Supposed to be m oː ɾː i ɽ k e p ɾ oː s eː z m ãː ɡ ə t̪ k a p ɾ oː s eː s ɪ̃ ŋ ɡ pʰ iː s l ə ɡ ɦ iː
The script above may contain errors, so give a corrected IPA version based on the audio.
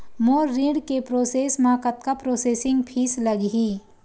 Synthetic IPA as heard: m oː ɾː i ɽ k e p ɾ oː s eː s m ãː k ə t̪ k a p ɾ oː s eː s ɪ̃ ŋ ɡ pʰ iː s l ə ɡ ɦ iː